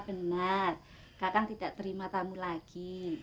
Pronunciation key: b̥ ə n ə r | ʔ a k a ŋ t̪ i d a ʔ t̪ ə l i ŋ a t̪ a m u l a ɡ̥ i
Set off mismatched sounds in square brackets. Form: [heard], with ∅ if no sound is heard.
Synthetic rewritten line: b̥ ə n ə r | [k] a k a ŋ t̪ i d a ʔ t̪ ə [ɾ] i [m] a t̪ a m u l a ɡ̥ i